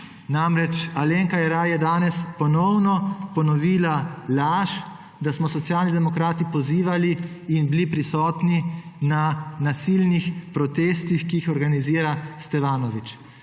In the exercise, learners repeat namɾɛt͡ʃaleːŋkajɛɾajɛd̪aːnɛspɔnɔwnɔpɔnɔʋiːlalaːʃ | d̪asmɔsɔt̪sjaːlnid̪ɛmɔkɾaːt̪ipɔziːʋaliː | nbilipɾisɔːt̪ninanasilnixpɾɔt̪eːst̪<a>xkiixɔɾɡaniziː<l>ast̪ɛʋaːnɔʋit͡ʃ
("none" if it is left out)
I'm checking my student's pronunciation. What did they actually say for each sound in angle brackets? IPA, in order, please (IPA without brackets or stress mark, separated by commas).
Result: i, ɾ